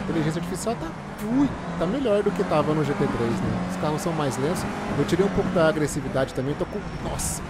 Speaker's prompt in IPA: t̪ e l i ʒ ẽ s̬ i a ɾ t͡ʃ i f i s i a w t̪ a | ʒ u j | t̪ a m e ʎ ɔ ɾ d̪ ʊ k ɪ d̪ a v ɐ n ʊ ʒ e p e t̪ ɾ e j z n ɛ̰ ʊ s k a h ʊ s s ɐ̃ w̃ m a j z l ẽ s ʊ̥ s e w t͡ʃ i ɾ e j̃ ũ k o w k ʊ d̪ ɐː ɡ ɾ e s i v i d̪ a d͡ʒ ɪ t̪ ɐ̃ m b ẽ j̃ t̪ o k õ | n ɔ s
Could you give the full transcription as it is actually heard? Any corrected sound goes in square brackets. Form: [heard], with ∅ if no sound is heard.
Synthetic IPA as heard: t̪ e l i ʒ ẽ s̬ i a ɾ t͡ʃ i f i s i a w t̪ a | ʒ u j | t̪ a m e ʎ ɔ ɾ d̪ ʊ k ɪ [t̪] a v ɐ n ʊ ʒ e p e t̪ ɾ e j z n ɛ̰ ʊ s k a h ʊ s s ɐ̃ w̃ m a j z l ẽ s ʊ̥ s e w t͡ʃ i ɾ e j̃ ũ [p] o w k ʊ d̪ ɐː ɡ ɾ e s i v i d̪ a d͡ʒ ɪ t̪ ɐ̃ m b ẽ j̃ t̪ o k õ | n ɔ s